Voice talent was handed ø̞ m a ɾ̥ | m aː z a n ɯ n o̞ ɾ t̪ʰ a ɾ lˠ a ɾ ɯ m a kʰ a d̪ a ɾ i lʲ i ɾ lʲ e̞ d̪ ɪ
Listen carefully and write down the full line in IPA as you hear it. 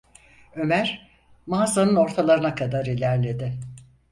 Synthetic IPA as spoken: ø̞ m æ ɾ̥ | m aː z a n ɯ n o̞ ɾ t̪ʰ a lˠ a ɾ ɯ n a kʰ a d̪ a ɾ i lʲ æ ɾ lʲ e̞ d̪ ɪ